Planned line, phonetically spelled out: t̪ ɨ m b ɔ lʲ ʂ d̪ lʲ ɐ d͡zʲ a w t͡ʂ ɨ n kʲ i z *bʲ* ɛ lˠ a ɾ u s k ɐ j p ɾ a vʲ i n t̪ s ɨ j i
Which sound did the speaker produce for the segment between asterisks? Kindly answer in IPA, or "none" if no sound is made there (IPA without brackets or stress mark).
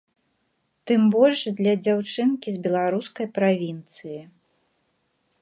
bʲ